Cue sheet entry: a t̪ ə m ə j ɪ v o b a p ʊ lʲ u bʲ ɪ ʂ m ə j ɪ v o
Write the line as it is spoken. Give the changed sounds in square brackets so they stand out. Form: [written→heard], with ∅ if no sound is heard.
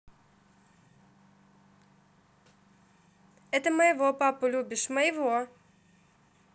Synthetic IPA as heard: [a→ɛ] t̪ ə m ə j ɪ v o [b→p] a p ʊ lʲ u bʲ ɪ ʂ m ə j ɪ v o